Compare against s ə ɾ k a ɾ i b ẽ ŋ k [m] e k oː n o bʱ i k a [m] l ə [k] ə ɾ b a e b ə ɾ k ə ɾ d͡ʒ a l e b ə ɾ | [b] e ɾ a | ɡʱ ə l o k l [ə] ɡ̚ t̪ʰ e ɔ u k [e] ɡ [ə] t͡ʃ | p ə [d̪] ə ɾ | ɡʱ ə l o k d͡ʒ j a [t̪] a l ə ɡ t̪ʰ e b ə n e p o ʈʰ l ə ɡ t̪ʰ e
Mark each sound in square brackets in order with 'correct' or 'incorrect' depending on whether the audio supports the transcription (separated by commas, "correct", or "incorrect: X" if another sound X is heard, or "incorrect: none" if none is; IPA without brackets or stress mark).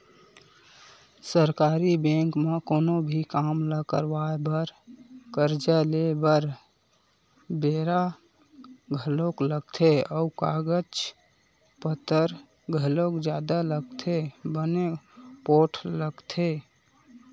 correct, correct, correct, correct, correct, incorrect: a, correct, incorrect: t̪, incorrect: d̪